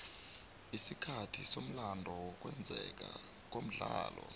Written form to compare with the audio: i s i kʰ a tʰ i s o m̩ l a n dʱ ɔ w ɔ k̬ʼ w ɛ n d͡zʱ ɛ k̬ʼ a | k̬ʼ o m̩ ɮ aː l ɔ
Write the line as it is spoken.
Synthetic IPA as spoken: i s i kʰ a tʰ i s o m̩ l a n dʱ ɔ w ɔ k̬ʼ w ɛ n d͡zʱ ɛ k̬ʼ a | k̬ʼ o m̩ ɮ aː l ɔ